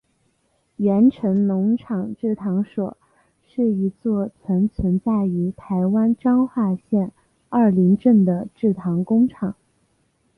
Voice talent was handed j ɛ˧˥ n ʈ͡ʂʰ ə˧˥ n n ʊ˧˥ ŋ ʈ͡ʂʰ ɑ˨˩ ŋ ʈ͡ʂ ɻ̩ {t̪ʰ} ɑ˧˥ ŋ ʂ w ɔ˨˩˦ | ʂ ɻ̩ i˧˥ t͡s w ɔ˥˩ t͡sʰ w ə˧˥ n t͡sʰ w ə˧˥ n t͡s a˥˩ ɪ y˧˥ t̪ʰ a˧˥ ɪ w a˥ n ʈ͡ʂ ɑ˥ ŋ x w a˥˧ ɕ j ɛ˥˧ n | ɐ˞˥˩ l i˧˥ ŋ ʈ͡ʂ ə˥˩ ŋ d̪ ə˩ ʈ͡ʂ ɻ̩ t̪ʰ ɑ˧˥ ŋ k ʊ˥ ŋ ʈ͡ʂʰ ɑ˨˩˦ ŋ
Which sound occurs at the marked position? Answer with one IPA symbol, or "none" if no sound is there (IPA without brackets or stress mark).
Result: t̪ʰ